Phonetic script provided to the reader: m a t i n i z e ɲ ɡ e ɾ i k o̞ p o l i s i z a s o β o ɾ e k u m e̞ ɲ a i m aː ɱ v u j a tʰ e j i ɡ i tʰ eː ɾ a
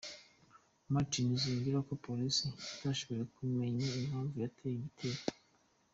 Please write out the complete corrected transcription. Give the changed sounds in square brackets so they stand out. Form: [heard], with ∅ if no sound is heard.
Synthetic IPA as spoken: m a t i n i z [i] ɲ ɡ [i] ɾ [a] k o̞ p o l i s i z a [ʃ] o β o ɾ e k u m e̞ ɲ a i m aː ɱ v u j a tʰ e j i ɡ i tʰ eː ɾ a